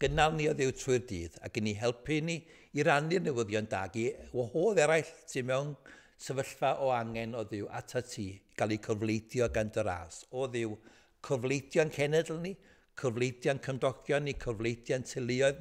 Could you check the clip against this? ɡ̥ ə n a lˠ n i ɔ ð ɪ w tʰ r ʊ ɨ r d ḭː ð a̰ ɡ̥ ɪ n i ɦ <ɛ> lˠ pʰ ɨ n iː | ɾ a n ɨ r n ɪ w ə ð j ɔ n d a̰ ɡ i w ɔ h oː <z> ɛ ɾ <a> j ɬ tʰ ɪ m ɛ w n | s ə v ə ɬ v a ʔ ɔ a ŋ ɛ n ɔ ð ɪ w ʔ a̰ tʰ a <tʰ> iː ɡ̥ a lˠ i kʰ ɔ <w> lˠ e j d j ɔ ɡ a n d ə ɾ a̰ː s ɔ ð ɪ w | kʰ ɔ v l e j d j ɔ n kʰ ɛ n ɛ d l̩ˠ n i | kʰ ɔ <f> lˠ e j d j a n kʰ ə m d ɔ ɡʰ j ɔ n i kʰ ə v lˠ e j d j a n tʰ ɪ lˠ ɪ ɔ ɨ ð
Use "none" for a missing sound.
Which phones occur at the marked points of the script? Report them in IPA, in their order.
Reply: ɛ, ð, a, tʰ, v, v

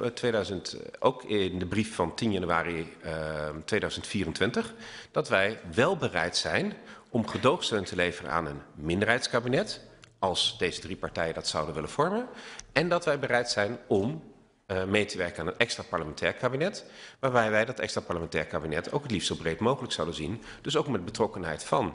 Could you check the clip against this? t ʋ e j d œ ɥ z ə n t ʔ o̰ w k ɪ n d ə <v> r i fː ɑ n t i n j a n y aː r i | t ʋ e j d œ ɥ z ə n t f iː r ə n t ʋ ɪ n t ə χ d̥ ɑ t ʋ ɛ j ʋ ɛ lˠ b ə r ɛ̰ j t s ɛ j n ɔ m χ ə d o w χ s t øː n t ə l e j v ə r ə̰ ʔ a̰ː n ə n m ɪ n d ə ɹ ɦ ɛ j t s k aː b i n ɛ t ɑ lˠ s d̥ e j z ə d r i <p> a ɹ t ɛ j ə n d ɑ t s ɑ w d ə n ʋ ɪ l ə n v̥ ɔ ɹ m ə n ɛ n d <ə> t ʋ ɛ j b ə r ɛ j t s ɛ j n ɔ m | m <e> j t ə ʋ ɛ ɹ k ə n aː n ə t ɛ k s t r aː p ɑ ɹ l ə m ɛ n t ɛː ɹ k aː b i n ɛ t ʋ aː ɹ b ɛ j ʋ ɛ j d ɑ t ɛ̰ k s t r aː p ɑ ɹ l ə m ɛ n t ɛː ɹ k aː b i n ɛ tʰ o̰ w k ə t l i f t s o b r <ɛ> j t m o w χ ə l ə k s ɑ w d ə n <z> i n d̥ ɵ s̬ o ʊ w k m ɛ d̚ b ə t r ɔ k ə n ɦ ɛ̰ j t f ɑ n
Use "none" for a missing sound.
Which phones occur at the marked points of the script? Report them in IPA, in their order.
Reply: b, p, ɑ, e, e, z

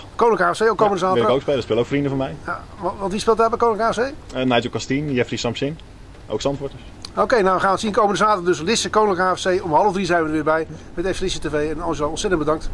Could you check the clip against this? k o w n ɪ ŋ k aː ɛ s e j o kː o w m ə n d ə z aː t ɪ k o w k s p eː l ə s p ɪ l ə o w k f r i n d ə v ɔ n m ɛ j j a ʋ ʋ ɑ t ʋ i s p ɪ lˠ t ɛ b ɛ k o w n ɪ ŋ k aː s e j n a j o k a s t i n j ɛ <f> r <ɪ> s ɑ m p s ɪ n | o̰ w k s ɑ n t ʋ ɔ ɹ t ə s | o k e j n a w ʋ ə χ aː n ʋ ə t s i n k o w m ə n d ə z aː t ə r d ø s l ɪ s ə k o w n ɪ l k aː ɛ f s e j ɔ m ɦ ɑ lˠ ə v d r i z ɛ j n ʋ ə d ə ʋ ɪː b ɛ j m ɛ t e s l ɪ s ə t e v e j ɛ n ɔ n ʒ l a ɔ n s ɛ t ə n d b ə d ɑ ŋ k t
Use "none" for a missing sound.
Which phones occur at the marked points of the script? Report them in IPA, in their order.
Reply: f, i

